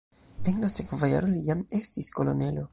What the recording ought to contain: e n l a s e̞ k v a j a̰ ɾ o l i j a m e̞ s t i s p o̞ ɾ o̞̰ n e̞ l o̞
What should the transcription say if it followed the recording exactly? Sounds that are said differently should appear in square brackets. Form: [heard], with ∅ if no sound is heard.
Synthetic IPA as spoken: e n l a s e̞ k v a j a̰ ɾ o l i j a m e̞ s t i s [k] o̞ [l] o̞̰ n e̞ l o̞